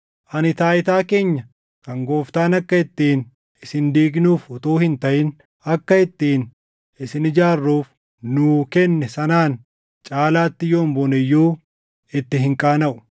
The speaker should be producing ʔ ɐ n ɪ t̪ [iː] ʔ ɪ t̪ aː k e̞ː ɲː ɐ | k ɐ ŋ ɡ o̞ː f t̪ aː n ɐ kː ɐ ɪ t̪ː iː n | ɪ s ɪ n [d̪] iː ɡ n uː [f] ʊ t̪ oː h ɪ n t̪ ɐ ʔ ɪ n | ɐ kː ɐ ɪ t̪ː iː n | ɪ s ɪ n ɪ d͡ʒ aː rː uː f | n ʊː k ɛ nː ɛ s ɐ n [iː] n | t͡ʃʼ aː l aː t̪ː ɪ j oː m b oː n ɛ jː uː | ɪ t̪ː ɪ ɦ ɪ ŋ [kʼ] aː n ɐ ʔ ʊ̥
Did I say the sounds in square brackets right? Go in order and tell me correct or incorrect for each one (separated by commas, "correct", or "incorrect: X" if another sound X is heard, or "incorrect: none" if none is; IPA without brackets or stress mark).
incorrect: aː, correct, correct, incorrect: aː, correct